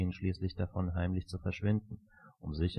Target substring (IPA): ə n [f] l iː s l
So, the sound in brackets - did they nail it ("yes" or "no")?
no